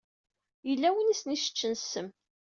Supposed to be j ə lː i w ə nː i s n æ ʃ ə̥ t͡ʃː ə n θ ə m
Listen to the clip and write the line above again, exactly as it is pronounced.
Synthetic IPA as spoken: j ə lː æ w ə n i s n i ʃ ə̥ t͡ʃː ə n s ə m